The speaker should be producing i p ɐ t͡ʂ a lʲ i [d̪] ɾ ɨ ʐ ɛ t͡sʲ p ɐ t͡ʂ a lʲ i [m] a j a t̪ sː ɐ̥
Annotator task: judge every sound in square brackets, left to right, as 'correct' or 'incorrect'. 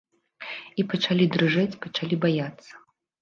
correct, incorrect

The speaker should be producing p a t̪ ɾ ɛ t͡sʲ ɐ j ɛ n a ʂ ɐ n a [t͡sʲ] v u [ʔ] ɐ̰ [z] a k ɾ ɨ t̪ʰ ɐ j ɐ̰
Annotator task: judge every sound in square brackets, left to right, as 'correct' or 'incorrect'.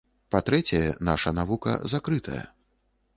incorrect, incorrect, correct

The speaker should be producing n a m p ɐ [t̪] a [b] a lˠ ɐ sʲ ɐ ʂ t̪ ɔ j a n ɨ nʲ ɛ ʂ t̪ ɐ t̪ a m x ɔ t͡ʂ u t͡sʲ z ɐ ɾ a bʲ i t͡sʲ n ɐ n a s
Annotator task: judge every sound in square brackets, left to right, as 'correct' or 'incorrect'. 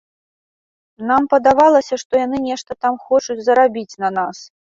incorrect, incorrect

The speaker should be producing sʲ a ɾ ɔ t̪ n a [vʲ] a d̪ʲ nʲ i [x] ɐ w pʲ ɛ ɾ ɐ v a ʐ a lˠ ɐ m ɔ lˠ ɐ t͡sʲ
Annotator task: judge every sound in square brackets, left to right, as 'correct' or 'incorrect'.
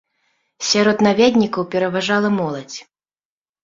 correct, incorrect

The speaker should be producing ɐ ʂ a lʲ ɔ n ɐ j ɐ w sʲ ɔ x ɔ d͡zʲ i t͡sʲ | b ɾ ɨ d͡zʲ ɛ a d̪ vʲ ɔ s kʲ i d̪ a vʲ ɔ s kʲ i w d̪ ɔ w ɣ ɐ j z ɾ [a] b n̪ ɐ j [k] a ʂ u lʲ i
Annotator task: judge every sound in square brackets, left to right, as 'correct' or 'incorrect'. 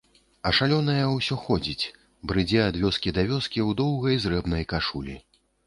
incorrect, correct

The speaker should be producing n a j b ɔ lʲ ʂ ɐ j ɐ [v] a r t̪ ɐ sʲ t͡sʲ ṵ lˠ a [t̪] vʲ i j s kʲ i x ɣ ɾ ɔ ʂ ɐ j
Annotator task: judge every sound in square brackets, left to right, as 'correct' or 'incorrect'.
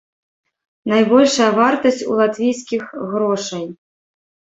correct, correct

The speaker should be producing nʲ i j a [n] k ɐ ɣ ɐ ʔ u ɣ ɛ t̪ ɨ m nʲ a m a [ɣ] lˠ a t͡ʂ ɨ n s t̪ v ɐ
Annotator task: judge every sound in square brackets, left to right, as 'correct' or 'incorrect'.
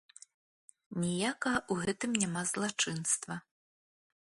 incorrect, incorrect

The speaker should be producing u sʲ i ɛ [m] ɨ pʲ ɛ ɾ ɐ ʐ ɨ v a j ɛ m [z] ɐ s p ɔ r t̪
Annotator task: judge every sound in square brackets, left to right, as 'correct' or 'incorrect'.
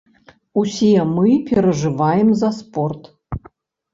correct, correct

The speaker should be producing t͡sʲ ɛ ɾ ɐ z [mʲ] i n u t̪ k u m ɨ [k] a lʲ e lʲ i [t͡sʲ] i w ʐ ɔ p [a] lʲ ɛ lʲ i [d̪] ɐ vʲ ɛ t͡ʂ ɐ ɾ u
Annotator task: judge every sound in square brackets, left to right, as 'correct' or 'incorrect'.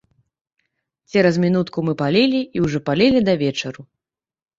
correct, incorrect, incorrect, correct, correct

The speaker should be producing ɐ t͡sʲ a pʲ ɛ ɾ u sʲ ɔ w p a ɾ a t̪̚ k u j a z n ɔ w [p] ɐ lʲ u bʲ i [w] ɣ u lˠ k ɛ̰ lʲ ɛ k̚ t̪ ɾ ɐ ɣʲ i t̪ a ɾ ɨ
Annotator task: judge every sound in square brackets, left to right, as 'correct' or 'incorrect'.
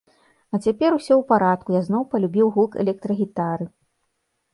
correct, correct

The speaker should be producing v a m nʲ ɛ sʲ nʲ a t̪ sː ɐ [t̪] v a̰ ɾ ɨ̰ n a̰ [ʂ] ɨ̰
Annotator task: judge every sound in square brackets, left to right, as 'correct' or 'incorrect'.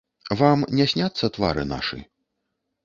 correct, correct

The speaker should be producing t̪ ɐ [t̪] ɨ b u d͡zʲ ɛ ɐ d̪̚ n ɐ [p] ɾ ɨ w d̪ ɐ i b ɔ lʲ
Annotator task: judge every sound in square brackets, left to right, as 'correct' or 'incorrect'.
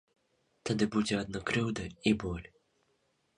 incorrect, incorrect

